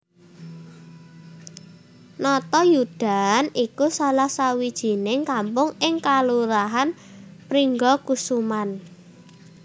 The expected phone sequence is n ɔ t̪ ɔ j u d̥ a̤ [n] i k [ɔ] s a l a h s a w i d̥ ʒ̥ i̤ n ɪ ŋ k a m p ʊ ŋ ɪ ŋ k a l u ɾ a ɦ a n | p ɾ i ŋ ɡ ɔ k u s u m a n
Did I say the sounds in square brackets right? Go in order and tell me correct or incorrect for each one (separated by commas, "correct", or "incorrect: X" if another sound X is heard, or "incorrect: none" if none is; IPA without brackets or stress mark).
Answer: correct, incorrect: u